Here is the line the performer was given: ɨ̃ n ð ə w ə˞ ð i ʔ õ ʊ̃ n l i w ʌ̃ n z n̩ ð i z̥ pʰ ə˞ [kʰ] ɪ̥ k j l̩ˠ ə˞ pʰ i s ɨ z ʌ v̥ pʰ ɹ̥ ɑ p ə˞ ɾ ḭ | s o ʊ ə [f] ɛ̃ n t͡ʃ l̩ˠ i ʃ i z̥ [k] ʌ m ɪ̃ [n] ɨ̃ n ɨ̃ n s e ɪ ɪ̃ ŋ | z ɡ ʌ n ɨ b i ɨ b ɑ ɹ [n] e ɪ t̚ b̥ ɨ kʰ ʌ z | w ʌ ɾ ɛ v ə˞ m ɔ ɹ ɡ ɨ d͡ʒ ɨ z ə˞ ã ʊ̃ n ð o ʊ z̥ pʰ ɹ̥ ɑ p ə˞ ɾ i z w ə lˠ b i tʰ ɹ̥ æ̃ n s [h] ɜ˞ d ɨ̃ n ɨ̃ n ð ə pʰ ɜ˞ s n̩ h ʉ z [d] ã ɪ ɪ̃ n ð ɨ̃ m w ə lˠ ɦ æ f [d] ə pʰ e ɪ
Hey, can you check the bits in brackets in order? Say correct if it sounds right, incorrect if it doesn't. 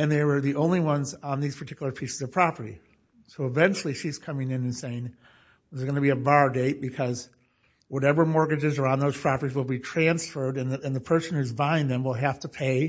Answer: incorrect: tʰ, incorrect: v, incorrect: kʰ, incorrect: ŋ, incorrect: d, incorrect: f, incorrect: b, incorrect: t

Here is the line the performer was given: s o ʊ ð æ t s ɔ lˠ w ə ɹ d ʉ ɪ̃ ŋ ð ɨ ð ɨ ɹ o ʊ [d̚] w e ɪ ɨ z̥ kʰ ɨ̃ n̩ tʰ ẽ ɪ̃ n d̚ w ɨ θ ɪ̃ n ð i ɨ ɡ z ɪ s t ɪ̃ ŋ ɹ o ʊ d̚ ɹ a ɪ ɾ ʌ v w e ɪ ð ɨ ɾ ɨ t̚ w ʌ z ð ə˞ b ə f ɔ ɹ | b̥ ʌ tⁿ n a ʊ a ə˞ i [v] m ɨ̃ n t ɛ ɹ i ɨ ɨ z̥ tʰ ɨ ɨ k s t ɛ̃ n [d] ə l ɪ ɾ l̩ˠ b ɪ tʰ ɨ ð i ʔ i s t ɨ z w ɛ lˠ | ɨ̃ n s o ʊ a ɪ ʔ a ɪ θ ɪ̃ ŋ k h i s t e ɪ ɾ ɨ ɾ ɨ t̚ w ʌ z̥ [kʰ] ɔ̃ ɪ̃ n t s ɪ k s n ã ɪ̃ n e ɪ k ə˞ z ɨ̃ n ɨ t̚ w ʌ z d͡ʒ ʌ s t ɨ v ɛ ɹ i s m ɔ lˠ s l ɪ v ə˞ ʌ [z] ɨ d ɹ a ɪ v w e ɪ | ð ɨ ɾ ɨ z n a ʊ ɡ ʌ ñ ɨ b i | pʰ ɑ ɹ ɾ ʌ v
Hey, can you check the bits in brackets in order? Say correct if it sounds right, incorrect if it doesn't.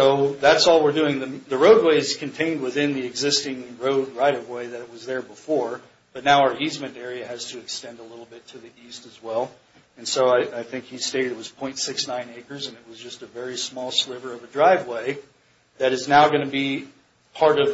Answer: correct, incorrect: z, correct, incorrect: pʰ, incorrect: v

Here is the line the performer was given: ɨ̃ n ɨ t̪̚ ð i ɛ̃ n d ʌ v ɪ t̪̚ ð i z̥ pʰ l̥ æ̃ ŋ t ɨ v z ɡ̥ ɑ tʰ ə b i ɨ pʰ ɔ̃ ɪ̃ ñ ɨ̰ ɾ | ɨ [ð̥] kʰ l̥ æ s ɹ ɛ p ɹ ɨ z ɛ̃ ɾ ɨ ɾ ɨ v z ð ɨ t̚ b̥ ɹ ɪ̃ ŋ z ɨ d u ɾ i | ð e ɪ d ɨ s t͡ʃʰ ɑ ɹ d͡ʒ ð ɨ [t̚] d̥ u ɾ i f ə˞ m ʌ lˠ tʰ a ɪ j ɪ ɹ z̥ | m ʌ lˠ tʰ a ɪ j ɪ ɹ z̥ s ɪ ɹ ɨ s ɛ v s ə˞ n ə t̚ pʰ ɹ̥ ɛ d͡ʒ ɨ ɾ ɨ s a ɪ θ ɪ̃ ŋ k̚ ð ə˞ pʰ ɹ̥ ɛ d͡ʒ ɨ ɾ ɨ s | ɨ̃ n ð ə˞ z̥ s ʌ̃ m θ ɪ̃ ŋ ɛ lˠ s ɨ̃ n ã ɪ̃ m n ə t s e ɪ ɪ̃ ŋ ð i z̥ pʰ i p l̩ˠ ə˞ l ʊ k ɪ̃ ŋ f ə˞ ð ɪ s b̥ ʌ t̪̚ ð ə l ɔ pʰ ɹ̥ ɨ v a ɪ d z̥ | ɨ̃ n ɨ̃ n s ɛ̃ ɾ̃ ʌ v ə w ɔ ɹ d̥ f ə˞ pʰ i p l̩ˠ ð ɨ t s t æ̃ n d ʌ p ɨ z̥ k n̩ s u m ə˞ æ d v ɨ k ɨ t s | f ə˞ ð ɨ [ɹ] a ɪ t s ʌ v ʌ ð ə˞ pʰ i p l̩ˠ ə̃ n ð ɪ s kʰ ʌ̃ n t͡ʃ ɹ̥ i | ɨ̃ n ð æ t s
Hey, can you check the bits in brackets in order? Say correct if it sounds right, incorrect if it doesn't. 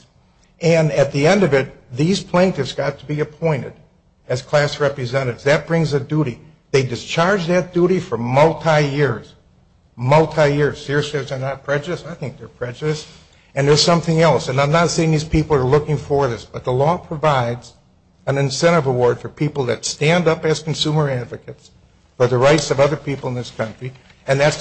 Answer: incorrect: z̥, correct, correct

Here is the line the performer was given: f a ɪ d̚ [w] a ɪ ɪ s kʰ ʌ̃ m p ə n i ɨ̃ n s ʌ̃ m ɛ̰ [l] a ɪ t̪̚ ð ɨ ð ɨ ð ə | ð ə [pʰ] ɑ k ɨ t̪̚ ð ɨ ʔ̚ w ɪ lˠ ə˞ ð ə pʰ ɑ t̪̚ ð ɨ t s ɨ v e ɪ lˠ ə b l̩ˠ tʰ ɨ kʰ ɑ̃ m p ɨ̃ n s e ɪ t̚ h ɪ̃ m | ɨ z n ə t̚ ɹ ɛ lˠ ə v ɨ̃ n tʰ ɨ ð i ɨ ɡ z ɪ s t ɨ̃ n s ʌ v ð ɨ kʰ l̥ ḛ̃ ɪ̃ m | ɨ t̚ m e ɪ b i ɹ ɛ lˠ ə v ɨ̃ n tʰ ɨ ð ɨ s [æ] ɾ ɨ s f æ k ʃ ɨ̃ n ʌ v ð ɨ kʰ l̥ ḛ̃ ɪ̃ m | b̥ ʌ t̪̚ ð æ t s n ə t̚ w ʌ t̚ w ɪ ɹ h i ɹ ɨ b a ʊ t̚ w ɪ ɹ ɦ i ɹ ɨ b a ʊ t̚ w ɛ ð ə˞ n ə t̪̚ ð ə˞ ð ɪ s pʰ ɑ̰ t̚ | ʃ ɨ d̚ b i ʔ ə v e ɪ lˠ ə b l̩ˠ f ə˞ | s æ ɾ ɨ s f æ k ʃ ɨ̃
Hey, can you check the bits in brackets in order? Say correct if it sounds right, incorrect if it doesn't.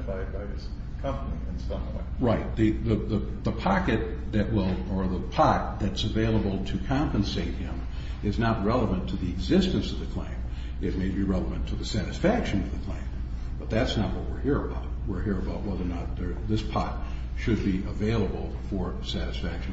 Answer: incorrect: b, incorrect: ɹ, correct, correct

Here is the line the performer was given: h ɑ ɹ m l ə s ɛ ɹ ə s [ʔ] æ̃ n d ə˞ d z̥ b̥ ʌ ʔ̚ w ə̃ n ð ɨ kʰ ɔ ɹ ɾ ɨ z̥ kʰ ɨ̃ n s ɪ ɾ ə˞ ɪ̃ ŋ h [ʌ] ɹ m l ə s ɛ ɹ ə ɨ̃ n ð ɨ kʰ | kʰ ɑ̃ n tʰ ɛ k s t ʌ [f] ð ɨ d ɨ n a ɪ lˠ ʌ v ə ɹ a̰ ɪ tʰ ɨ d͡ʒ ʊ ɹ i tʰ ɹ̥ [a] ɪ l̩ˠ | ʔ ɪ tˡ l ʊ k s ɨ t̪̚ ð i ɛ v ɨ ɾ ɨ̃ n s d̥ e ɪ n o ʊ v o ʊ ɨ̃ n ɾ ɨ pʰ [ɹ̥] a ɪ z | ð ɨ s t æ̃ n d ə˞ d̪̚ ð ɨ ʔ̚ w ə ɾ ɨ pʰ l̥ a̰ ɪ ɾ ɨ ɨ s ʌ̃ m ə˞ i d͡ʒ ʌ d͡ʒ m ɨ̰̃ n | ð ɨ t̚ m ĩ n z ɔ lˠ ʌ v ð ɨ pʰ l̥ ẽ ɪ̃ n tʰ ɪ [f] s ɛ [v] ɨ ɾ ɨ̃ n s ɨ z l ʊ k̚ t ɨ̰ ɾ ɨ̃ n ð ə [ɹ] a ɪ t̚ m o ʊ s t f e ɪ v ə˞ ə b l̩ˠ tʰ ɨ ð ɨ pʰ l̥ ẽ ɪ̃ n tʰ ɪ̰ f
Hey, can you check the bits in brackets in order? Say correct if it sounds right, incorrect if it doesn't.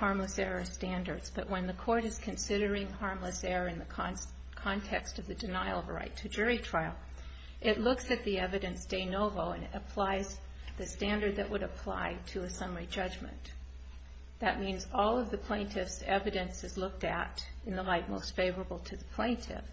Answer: incorrect: t, incorrect: ɑ, incorrect: v, correct, incorrect: l̥, correct, correct, incorrect: l

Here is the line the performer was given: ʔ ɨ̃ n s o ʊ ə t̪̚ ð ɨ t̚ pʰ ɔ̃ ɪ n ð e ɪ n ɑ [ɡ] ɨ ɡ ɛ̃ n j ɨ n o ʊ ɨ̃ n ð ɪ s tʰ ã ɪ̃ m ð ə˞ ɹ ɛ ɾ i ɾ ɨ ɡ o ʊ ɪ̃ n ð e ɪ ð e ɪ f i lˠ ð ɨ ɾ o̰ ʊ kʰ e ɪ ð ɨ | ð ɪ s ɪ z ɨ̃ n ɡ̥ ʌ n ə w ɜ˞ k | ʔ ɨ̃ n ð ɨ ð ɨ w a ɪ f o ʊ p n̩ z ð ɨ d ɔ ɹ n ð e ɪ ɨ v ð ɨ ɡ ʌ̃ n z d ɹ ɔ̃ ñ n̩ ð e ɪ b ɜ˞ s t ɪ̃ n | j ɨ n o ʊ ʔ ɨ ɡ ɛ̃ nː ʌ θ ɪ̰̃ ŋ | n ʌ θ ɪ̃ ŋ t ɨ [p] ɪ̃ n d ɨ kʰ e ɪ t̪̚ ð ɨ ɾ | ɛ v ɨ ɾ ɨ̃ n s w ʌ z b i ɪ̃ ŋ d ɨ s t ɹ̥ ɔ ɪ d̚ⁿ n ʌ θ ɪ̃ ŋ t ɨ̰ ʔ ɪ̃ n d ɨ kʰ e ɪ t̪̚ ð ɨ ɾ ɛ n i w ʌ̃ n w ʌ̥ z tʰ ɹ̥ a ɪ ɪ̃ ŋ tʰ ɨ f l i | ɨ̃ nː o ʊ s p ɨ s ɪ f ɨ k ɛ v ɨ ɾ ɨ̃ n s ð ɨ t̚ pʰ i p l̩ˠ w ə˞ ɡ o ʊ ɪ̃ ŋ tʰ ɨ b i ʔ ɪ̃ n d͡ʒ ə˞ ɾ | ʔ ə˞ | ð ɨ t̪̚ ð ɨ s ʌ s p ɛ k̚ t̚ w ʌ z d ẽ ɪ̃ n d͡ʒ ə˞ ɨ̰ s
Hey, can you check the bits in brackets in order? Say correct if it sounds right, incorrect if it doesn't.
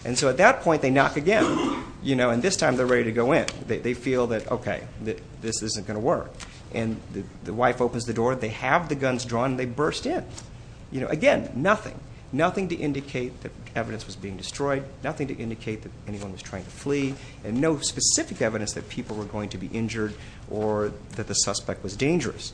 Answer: incorrect: k, incorrect: ʔ

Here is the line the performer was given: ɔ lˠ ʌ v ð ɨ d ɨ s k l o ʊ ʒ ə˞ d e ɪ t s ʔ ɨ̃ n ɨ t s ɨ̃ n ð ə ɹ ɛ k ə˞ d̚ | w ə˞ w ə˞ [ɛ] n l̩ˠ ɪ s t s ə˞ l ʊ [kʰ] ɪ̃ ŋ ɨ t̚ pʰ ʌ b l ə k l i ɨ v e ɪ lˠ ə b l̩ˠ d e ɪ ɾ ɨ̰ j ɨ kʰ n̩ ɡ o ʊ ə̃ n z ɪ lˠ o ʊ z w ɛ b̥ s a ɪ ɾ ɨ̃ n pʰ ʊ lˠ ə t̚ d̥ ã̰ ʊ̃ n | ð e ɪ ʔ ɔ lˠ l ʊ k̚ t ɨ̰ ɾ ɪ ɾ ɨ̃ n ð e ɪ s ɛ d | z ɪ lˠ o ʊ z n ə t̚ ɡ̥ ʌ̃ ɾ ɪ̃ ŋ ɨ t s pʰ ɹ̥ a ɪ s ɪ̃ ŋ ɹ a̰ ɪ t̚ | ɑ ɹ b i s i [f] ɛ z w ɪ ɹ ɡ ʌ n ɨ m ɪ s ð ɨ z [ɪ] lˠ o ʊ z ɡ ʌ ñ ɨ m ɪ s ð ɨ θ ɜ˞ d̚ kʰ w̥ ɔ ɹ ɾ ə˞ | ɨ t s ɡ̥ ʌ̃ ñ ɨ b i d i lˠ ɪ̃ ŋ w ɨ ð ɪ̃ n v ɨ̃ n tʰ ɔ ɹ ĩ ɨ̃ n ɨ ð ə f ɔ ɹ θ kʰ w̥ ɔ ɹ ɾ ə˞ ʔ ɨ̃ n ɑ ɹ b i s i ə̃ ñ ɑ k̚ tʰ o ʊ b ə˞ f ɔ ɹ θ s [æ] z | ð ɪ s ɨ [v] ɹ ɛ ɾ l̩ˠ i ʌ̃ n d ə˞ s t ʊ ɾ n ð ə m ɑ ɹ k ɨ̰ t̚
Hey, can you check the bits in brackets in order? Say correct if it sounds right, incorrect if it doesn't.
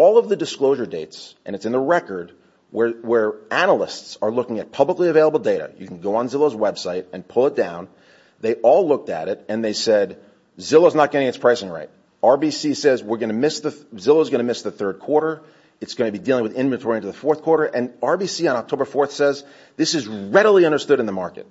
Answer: incorrect: æ, incorrect: k, incorrect: s, correct, incorrect: ɛ, incorrect: z

